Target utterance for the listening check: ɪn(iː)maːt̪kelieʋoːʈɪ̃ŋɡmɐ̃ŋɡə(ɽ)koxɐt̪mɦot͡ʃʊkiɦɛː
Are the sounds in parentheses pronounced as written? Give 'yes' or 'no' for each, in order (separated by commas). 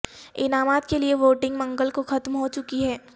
no, no